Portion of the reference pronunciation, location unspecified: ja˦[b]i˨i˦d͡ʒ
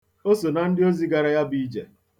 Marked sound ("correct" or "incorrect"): correct